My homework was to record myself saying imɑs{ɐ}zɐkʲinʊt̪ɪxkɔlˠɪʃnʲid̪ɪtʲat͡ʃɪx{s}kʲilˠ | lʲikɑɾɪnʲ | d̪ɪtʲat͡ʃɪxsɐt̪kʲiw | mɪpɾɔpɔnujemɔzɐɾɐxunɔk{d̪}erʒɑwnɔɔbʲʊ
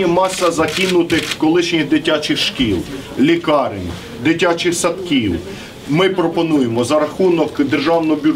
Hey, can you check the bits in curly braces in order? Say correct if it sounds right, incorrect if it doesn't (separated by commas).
correct, incorrect, correct